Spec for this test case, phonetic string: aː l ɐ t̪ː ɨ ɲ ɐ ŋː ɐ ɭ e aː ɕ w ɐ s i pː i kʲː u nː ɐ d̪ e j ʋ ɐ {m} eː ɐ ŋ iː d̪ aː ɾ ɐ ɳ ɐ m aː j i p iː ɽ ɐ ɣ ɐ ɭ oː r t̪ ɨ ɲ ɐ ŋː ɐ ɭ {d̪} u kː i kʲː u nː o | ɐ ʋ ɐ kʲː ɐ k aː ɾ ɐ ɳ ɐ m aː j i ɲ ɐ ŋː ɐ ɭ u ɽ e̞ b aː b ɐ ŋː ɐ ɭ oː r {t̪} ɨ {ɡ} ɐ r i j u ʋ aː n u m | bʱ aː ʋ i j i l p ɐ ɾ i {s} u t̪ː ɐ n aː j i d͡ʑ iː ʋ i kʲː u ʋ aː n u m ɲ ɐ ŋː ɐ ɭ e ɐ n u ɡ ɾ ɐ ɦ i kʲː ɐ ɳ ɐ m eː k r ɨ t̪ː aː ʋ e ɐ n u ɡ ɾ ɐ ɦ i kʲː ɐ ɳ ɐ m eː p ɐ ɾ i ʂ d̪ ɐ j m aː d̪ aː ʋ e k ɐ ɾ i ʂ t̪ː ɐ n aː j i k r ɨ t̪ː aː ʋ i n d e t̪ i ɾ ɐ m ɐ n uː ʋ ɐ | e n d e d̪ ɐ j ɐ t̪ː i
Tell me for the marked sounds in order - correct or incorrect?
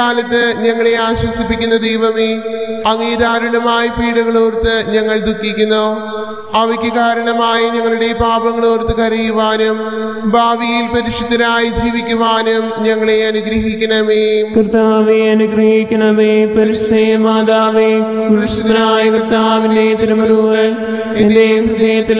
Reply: correct, correct, correct, incorrect: k, incorrect: ʂ

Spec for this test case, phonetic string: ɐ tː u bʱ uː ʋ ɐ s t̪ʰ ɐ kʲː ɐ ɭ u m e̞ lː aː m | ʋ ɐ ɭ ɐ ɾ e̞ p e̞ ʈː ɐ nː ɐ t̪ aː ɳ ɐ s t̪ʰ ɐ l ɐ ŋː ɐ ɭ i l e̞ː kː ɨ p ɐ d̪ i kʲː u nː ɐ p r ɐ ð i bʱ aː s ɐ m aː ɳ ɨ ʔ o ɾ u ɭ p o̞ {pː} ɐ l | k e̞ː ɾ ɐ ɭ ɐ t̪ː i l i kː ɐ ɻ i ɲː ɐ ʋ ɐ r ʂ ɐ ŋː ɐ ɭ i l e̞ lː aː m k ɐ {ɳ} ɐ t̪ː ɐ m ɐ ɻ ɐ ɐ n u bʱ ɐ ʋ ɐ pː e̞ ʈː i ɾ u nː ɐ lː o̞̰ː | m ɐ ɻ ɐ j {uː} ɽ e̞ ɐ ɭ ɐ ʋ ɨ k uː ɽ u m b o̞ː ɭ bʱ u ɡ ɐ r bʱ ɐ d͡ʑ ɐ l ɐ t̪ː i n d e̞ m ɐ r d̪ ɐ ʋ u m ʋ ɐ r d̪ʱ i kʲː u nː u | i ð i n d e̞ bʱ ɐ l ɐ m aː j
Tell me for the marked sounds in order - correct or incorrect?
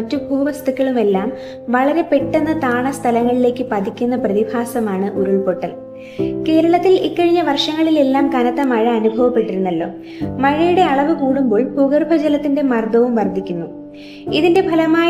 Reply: incorrect: ʈː, incorrect: n, incorrect: u

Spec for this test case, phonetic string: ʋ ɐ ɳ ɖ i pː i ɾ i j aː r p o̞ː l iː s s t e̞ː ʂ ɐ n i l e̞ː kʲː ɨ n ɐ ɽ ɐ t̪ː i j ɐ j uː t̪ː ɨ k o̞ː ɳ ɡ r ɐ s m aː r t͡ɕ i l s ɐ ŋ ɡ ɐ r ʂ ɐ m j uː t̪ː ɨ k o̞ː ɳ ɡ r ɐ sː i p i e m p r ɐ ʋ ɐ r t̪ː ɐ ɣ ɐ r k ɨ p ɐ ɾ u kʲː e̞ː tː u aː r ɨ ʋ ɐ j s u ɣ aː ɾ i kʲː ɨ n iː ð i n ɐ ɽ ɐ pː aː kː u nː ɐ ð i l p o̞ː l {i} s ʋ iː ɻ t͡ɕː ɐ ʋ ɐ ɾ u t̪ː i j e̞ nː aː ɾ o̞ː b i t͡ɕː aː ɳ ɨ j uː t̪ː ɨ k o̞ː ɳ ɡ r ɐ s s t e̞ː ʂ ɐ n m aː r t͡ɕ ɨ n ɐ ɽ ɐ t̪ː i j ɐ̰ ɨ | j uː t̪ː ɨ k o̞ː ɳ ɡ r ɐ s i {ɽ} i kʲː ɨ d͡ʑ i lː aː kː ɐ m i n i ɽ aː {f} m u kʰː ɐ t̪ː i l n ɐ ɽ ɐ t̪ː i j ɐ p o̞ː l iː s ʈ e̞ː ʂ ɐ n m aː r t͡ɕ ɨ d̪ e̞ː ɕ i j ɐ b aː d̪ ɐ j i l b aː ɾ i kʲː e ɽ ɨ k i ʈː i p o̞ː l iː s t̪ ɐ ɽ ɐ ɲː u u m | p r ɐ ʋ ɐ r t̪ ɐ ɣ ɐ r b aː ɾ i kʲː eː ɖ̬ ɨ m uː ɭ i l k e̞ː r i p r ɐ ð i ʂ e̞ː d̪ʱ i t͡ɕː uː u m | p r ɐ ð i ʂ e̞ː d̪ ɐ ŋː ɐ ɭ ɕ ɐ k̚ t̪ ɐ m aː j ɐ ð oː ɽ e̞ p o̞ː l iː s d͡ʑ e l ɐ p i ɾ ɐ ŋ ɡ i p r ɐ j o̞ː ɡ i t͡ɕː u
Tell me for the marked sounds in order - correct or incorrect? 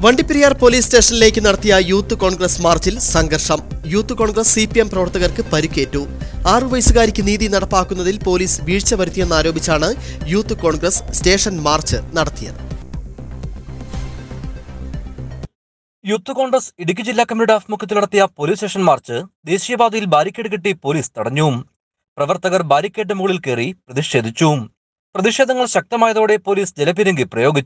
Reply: incorrect: iː, correct, correct

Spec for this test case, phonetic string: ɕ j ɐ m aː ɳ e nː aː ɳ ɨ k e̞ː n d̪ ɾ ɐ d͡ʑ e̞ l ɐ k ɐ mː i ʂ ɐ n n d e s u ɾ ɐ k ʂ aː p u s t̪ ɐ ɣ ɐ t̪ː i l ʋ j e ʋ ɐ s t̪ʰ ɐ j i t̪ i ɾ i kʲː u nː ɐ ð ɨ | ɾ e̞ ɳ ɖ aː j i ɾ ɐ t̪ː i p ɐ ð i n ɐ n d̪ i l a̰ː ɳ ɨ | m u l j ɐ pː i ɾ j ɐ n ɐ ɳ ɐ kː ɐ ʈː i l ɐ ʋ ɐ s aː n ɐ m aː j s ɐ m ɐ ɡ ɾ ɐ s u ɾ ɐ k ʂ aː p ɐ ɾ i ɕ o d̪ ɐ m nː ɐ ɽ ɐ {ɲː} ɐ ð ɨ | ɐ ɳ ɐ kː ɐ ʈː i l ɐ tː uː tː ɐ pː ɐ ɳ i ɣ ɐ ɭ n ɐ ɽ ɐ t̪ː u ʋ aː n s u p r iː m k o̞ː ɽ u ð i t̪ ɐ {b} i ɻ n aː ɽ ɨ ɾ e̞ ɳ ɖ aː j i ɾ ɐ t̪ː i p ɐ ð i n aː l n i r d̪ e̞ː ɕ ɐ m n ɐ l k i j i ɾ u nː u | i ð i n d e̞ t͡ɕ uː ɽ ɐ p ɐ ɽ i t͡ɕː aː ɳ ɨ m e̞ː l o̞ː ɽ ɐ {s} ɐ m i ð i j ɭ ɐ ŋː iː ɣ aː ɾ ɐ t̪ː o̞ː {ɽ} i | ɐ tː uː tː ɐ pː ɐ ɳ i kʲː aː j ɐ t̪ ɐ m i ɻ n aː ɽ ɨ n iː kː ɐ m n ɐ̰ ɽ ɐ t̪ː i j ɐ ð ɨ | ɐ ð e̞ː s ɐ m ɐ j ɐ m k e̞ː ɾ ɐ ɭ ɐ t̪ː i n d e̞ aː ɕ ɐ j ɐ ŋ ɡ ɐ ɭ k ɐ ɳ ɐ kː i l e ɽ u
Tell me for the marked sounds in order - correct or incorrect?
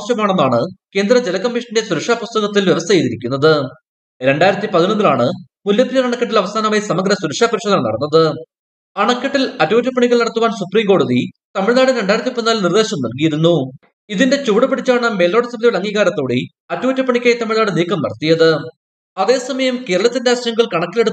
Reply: incorrect: nː, incorrect: m, correct, correct

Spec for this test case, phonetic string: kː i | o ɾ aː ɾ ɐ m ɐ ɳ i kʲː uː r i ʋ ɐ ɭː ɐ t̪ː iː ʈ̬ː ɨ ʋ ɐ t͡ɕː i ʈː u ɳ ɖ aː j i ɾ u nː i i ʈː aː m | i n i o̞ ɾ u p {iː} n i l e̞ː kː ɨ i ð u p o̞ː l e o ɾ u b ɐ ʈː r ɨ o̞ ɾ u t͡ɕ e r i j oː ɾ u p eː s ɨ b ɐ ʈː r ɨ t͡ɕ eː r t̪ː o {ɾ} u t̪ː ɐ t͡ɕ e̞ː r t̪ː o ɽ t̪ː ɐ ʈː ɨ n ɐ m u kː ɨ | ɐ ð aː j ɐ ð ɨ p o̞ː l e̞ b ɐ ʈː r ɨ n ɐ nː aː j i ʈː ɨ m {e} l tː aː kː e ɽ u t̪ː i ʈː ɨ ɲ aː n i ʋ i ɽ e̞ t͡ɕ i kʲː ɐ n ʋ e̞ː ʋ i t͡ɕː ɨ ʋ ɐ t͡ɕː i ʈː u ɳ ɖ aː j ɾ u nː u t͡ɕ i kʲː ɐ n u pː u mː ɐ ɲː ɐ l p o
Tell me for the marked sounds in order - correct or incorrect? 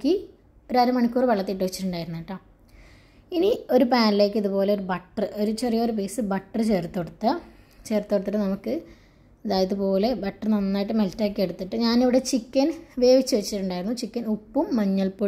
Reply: incorrect: aː, incorrect: ɽ, correct

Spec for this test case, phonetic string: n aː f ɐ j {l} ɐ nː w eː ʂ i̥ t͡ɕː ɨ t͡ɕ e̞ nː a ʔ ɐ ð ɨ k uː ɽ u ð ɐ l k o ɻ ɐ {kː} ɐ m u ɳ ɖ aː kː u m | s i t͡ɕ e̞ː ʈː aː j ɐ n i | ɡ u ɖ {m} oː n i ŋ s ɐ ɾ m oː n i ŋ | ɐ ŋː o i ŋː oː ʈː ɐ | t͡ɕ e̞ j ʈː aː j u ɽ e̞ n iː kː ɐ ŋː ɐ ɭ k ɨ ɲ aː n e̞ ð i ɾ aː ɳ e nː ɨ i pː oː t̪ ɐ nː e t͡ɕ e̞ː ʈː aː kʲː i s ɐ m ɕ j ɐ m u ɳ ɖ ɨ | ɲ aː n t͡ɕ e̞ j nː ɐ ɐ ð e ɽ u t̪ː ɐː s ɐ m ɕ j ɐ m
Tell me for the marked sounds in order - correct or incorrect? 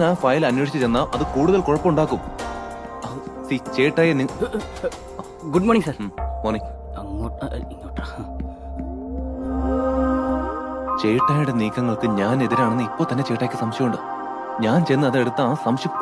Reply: correct, incorrect: pː, correct

